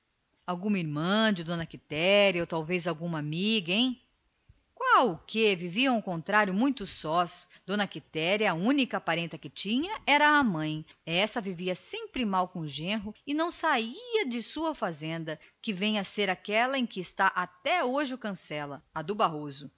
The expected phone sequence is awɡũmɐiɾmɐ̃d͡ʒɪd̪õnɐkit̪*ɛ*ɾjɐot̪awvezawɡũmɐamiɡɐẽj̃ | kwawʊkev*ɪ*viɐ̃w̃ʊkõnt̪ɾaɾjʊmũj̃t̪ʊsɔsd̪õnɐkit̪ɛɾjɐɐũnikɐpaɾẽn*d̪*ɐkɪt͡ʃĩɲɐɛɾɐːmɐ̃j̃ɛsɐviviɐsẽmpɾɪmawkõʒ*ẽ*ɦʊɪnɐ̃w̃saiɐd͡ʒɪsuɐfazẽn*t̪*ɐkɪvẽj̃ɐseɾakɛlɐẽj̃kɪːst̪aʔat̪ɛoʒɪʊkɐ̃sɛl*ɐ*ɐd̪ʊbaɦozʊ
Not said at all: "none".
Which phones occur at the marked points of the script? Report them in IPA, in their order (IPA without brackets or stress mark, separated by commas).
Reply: ɛ, i, t̪, ẽ, d̪, ɐ